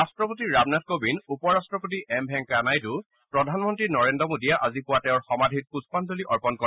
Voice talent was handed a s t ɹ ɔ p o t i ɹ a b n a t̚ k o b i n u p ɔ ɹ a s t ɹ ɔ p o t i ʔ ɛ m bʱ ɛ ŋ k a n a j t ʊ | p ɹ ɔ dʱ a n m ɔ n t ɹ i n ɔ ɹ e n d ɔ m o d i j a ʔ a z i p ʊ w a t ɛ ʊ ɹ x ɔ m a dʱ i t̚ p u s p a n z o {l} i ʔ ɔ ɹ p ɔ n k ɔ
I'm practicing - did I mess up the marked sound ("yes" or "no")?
no